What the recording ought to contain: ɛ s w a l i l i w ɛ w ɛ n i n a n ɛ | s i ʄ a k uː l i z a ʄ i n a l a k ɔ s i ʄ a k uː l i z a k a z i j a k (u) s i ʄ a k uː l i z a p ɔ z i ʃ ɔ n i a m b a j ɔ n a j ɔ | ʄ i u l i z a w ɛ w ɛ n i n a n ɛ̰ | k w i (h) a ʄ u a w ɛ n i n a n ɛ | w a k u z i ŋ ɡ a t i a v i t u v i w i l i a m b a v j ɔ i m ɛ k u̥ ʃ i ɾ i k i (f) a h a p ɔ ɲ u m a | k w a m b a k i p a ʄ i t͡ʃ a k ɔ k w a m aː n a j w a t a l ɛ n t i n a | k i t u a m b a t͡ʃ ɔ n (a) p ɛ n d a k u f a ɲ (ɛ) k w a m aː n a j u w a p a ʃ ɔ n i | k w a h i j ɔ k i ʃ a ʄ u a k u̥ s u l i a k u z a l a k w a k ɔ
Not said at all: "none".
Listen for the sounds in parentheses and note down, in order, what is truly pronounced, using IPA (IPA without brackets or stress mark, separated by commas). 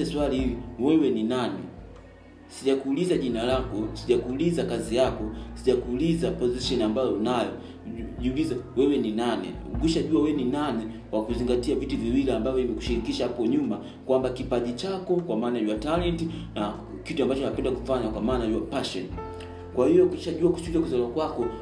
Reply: ɔ, ʃ, ʃ, a, a